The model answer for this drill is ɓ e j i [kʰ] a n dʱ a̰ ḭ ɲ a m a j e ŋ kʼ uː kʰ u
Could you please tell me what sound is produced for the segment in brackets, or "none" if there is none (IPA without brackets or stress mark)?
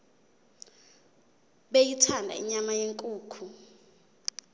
tʰ